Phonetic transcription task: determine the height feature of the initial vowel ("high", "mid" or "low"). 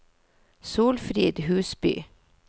high